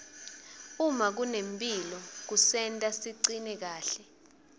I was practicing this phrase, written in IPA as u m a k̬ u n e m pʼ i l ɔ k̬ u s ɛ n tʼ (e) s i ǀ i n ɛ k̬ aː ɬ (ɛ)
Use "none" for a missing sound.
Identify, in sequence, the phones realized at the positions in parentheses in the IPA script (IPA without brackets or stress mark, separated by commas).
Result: a, ɛ